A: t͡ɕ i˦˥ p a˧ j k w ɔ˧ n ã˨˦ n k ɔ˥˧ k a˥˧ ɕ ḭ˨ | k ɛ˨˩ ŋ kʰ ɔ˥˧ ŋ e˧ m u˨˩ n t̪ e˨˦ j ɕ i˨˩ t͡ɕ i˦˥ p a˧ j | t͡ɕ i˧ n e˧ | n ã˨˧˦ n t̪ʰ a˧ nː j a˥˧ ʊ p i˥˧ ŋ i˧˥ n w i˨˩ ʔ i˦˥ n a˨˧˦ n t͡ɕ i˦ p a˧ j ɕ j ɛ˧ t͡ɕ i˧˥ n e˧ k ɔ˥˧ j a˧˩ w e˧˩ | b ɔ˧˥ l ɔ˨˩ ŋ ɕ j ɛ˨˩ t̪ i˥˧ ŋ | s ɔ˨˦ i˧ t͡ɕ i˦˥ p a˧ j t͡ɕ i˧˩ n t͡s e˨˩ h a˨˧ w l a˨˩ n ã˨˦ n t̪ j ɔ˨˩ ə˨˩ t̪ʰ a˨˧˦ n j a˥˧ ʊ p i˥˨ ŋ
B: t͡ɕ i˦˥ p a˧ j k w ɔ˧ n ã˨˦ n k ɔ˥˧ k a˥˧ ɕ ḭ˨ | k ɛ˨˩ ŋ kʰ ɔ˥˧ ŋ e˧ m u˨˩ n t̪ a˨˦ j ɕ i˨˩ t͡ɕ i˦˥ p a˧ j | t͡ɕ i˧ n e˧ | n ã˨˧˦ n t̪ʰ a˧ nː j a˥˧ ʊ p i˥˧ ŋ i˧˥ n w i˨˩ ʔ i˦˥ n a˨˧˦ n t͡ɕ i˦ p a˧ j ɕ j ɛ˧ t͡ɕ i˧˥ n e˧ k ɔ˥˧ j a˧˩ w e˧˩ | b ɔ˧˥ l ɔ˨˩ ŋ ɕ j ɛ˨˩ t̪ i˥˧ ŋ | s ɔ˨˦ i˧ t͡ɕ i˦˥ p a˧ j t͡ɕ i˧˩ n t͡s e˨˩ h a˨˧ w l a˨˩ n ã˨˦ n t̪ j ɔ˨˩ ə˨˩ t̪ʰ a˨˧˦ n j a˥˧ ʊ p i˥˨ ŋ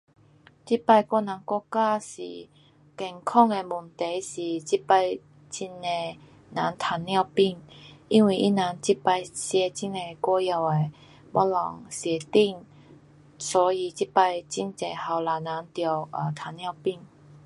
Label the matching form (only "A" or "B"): A